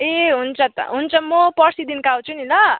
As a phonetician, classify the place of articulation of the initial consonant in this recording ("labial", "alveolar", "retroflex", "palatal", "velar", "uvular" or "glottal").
glottal